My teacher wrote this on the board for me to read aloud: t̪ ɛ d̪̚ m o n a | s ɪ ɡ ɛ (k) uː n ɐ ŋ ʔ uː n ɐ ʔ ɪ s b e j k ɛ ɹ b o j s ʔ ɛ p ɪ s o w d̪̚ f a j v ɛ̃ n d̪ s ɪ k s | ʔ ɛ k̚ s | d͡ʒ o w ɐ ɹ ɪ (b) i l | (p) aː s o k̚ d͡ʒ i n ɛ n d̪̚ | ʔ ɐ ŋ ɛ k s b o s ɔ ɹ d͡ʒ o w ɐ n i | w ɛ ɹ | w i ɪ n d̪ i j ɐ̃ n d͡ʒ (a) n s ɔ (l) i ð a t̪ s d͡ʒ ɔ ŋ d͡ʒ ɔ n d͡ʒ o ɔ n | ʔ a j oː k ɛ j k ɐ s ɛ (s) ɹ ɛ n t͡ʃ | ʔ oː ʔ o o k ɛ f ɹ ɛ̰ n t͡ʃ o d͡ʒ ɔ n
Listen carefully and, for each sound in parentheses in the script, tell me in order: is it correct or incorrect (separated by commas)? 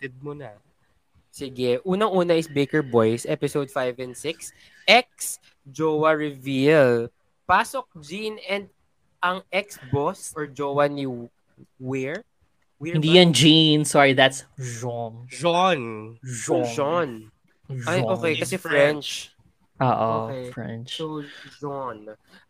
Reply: incorrect, incorrect, correct, incorrect, incorrect, incorrect